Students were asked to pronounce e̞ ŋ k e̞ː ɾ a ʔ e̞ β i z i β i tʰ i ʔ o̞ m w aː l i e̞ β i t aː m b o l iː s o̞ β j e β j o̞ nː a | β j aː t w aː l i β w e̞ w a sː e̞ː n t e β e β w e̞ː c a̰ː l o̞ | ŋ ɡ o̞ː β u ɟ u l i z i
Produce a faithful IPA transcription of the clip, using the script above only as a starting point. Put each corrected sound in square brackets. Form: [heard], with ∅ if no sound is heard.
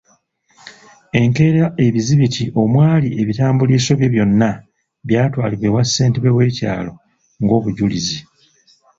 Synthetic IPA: e̞ ŋ k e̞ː ɾ a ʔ e̞ β i z i β i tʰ i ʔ o̞ m w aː l i e̞ β i t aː m b [u] l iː s o̞ β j e β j o̞ nː a | β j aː t w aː l i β w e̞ w a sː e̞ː n t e β e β w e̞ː c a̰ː l o̞ | ŋ ɡ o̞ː β u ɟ u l i z i

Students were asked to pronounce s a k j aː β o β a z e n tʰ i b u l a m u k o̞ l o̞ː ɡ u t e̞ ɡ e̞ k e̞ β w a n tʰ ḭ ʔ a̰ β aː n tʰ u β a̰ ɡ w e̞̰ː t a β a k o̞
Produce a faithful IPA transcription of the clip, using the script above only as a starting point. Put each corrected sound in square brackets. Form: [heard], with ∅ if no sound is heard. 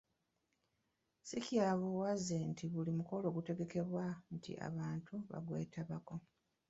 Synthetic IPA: s [i] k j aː β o [w] a z e n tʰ i [β] u l [i] m u k o̞ l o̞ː ɡ u t e̞ ɡ e̞ k e̞ β w a n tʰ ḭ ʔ a̰ β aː n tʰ u β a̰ ɡ w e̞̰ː t a β a k o̞

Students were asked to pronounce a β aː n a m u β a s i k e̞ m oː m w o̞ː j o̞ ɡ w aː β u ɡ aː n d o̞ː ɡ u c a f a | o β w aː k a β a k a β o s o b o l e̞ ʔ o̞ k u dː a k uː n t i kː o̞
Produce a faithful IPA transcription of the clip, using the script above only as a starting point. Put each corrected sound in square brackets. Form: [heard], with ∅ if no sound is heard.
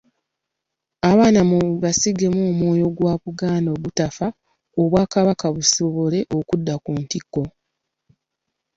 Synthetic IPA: a β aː n a m u β a s i [ɡ] e̞ m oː m w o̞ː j o̞ ɡ w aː β u ɡ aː n d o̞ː ɡ u [t] a f a | o β w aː k a β a k a β [u] s o [β] o l e̞ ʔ o̞ k u dː a k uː n t i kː o̞

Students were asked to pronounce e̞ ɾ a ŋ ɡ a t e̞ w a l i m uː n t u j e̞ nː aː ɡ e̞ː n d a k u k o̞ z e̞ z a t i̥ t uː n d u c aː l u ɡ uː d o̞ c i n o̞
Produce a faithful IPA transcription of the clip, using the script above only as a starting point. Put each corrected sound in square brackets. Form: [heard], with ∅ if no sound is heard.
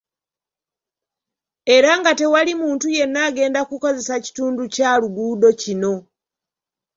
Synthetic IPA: e̞ ɾ a ŋ ɡ a t e̞ w a l i m uː n t u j e̞ nː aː ɡ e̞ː n d a k u k o̞ z e̞ [s] a [c] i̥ t uː n d u c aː l u ɡ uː d o̞ c i n o̞

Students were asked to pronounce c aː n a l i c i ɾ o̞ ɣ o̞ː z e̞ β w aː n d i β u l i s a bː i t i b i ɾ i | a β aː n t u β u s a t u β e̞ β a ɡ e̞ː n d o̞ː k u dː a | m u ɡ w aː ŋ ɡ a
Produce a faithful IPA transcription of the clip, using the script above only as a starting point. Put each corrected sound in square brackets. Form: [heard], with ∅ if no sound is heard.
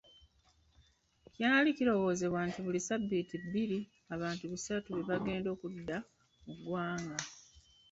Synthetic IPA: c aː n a l i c i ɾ o̞ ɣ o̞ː z e̞ β w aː n [t] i β u l i s a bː i t i b i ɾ i | a β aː n t u β u s a t u β e̞ β a ɡ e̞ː n d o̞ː k u dː a | m u ɡ w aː ŋ ɡ a

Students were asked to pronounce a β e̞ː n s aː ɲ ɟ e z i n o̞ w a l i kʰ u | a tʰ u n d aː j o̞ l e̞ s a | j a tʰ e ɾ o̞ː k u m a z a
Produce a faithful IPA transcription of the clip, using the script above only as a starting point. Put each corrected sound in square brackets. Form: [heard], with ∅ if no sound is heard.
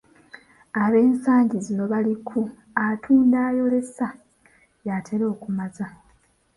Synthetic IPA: a β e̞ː n s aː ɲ ɟ [i] z i n o̞ [β] a l i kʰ u | a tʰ [uː] n d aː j o̞ l e̞ s a | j a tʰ e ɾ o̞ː k u m a z a

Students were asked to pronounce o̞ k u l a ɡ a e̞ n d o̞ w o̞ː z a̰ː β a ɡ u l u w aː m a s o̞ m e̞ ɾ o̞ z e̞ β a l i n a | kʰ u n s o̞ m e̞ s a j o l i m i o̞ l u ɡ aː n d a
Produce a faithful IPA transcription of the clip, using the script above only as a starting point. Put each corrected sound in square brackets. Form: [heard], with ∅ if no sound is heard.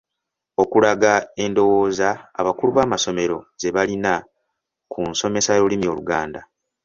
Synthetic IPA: o̞ k u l a ɡ a e̞ n d o̞ w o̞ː z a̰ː β a [k] u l u [β] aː m a s o̞ m e̞ ɾ o̞ z e̞ β a l i n a | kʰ u n s o̞ m e̞ s a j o l i m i o̞ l u ɡ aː n d a

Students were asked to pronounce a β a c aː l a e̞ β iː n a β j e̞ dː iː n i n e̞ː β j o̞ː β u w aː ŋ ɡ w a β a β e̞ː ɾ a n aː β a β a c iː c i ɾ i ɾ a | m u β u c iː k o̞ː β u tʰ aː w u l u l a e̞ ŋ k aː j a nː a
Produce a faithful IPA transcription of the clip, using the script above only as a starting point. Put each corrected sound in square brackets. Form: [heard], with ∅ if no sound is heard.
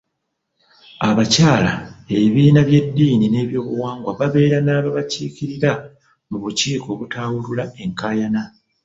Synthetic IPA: a β a c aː l a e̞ β iː n a β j e̞ dː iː n i n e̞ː β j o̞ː β u w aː ŋ ɡ w a β a β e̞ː ɾ a n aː β a β a c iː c i ɾ i ɾ a | m u β u c iː k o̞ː β u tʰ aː w u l u l a e̞ ŋ k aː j a [n] a

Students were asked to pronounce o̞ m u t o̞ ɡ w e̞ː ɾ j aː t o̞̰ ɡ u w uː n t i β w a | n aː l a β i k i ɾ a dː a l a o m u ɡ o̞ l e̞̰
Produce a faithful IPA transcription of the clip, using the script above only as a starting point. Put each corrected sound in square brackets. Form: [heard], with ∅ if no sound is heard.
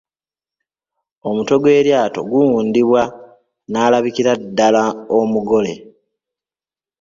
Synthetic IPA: o̞ m u t o̞ ɡ w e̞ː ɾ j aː t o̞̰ ɡ u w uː n [d] i β w a | n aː l a β i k i ɾ a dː a l a o m u ɡ o̞ l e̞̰

